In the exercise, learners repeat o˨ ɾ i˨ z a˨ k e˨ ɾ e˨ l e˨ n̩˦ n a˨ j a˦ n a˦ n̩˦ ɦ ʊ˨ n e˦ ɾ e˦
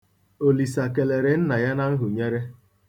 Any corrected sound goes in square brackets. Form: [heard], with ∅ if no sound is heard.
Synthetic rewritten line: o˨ [l] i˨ [s] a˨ k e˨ [l] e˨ [ɾ] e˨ n̩˦ n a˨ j a˦ n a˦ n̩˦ ɦ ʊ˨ [ɲ] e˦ ɾ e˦

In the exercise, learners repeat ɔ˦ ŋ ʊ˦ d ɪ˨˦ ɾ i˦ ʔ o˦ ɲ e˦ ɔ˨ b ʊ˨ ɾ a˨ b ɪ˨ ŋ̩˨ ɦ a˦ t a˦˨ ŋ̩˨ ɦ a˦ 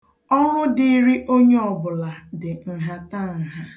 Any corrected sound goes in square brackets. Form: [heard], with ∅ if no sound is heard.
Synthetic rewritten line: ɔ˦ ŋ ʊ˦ d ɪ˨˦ ɾ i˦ ʔ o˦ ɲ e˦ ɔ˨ b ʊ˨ [l] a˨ [d] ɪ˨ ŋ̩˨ ɦ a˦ t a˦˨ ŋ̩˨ ɦ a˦

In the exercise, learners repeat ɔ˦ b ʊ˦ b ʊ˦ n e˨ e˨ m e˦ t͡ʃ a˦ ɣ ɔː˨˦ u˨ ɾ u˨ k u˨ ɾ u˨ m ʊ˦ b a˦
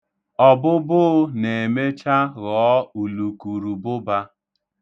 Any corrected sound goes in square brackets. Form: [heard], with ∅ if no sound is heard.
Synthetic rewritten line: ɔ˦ b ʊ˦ b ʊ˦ n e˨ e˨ m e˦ t͡ʃ a˦ ɣ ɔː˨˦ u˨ [l] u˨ k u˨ ɾ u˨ [b] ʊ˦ b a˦

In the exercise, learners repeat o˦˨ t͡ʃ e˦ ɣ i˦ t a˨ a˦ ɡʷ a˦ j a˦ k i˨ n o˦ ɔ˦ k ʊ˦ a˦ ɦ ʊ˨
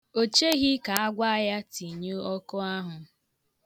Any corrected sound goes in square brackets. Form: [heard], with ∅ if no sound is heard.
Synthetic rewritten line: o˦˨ t͡ʃ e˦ ɣ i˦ [k] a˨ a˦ ɡʷ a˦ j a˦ [t] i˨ [ɲ] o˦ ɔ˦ k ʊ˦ a˦ ɦ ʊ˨

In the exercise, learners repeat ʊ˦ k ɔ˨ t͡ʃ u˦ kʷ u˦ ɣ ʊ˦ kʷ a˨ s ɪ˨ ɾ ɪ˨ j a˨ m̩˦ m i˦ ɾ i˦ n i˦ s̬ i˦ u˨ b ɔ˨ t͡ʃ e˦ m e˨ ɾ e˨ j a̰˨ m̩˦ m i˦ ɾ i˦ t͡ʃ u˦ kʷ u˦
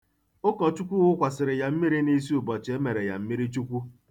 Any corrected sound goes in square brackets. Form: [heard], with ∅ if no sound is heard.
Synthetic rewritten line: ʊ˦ k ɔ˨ t͡ʃ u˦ kʷ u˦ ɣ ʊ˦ kʷ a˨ s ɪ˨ ɾ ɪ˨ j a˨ m̩˦ m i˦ ɾ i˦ n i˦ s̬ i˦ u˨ b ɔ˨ t͡ʃ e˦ m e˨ ɾ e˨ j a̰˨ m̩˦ m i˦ ɾ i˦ t͡ʃ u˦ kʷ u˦

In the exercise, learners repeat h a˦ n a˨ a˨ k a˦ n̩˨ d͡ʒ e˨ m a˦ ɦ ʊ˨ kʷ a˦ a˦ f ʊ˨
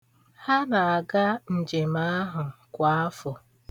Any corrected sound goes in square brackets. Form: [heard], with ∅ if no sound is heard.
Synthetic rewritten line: h a˦ n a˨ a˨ [ɡ] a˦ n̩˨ d͡ʒ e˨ m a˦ ɦ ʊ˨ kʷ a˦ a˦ f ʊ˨

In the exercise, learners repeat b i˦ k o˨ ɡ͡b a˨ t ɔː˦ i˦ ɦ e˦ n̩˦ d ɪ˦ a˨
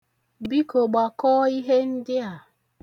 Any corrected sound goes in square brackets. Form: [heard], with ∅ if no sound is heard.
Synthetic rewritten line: b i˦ k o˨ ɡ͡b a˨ [k] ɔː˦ i˦ ɦ e˦ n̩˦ d ɪ˦ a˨

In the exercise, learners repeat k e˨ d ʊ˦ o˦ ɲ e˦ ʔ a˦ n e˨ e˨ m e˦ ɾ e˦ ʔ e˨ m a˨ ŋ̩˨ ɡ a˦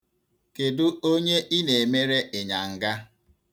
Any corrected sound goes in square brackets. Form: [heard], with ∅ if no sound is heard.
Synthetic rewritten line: k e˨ d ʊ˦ o˦ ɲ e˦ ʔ [i˦] n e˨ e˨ m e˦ ɾ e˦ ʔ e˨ [ɲ] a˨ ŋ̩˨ ɡ a˦

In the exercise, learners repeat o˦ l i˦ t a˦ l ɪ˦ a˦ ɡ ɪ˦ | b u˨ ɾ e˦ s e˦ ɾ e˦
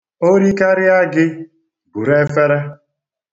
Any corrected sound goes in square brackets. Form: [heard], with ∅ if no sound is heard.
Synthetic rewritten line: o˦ [ɾ] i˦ [k] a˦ [ɾ] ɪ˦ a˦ ɡ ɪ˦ | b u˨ ɾ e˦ [f] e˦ ɾ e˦

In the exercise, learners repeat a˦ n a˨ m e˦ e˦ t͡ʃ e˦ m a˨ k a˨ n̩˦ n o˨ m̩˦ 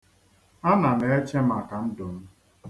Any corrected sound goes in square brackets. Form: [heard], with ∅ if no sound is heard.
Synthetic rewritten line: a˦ n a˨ [n] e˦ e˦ t͡ʃ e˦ m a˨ k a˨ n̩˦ [d] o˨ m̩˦

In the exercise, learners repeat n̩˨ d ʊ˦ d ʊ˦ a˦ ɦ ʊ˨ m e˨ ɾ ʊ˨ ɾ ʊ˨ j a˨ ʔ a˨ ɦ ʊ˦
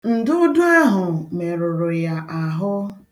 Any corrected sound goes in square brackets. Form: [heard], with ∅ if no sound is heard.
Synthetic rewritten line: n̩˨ d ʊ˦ d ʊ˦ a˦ ɦ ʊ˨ m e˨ ɾ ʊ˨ ɾ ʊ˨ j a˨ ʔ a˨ ɦ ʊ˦

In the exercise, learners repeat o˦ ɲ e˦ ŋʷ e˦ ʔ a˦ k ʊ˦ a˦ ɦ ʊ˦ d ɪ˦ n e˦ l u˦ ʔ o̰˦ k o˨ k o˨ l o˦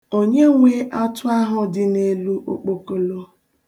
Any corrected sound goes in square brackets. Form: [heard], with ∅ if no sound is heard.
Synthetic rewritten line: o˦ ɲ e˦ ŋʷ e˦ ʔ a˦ [t] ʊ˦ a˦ ɦ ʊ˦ d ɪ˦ n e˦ l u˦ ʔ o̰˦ [k͡p] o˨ k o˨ l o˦

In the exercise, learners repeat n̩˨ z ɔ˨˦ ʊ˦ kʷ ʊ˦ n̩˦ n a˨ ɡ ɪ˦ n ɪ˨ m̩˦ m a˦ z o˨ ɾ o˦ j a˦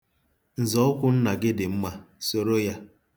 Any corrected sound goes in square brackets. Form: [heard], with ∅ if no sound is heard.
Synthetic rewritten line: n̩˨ z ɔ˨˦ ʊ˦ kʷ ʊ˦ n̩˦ n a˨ ɡ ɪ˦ [d] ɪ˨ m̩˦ m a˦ [s] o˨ ɾ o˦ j a˦

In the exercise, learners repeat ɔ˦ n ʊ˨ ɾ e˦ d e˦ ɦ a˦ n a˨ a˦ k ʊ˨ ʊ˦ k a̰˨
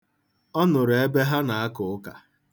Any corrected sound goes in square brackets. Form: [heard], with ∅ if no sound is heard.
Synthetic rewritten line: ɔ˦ n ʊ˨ ɾ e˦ [b] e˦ ɦ a˦ n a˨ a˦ k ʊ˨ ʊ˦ k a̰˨

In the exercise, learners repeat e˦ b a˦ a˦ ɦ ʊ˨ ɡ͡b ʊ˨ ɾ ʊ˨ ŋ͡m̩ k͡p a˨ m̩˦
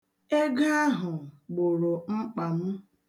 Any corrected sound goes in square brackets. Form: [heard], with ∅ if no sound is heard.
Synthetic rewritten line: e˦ [ɡ] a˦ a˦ ɦ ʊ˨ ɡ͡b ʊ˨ ɾ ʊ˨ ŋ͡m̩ k͡p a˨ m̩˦

